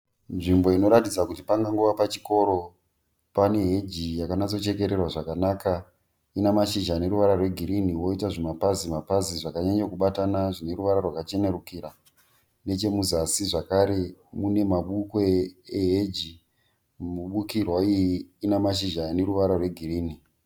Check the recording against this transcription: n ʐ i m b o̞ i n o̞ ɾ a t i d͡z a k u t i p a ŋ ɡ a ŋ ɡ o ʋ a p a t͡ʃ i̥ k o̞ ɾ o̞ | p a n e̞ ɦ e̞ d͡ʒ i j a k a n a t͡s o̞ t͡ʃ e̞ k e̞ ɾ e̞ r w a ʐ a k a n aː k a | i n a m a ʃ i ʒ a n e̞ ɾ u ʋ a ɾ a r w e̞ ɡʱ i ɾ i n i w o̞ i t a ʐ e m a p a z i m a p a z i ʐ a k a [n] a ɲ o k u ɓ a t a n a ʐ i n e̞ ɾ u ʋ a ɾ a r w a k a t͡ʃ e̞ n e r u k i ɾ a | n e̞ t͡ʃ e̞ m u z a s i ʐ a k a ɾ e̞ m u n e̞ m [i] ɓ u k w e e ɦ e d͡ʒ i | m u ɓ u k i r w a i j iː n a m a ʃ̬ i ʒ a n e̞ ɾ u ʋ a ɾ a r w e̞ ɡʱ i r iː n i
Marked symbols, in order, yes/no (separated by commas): no, no